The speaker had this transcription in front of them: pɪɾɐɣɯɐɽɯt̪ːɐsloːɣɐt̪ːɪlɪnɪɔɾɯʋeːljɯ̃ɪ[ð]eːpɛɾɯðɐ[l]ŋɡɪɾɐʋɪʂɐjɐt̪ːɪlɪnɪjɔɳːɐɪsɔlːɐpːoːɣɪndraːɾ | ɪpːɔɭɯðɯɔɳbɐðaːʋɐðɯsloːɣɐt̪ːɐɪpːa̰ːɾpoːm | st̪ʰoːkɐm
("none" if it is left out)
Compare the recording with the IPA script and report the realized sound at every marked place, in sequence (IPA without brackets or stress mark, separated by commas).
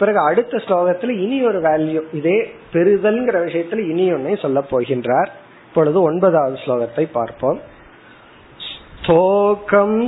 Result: ð, l